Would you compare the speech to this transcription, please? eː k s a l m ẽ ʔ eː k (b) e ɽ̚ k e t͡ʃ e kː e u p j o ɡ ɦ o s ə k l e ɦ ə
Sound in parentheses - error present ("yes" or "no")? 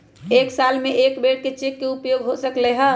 no